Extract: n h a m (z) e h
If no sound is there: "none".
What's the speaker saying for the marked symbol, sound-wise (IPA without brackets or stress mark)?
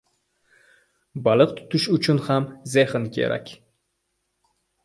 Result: z